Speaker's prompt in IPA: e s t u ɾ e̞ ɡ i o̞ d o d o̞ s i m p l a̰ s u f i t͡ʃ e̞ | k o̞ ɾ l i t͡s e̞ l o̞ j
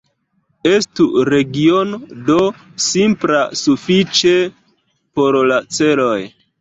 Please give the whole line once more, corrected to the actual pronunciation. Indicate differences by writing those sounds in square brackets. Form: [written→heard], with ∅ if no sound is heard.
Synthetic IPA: e s t u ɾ e̞ ɡ i o̞ [d→n] o d o̞ s i m p l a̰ s u f i t͡ʃ e̞ | [k→p] o̞ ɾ l [i→a] t͡s e̞ l o̞ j